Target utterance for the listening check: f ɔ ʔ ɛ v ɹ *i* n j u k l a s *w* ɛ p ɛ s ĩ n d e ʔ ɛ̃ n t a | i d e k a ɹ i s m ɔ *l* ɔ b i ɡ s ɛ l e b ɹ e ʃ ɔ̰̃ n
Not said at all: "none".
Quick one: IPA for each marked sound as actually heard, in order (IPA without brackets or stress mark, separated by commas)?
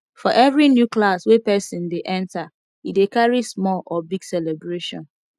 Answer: i, w, l